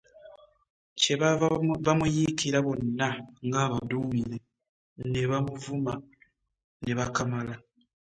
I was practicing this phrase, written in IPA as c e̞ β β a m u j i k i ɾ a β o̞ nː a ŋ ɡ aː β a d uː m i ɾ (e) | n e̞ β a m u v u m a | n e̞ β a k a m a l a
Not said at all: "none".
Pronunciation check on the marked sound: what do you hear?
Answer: e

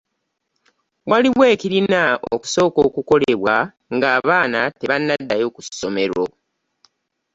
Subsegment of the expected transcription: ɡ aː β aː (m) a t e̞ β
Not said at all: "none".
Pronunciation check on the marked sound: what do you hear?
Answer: n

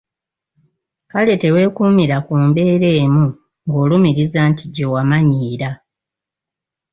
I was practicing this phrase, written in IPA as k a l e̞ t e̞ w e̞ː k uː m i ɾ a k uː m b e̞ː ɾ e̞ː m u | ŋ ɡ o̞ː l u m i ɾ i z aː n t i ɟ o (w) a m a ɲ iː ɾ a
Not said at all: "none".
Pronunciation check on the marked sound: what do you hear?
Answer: w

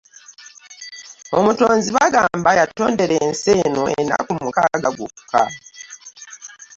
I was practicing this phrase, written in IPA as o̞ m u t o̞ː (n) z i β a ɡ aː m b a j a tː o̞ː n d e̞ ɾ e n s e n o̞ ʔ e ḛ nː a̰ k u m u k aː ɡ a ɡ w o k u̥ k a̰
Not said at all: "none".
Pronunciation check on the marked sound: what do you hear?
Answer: n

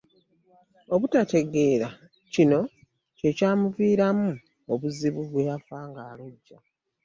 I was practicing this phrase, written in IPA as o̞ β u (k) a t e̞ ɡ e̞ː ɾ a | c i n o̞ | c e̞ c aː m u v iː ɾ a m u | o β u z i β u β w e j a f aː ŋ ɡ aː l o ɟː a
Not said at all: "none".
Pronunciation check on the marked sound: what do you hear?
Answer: t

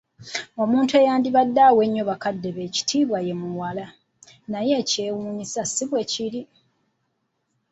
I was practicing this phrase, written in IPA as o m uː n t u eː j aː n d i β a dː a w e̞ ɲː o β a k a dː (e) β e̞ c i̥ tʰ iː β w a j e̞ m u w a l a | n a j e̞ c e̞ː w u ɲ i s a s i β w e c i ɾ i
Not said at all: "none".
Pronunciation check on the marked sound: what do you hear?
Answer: e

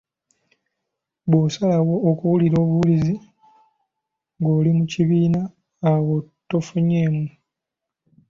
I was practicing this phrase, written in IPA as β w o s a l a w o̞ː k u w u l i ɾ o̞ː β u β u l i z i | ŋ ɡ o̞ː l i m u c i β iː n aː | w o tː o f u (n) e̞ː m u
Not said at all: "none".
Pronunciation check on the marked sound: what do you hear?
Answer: ɲ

